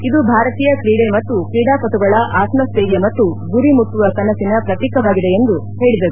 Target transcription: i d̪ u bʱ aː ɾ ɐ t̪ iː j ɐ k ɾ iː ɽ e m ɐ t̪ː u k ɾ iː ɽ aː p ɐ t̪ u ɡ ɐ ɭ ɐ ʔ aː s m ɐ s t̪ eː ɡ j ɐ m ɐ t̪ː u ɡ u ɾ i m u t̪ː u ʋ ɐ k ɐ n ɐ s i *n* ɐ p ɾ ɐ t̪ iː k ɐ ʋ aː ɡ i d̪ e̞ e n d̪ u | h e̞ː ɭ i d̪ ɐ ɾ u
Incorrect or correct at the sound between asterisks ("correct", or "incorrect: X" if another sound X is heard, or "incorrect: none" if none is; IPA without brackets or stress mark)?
correct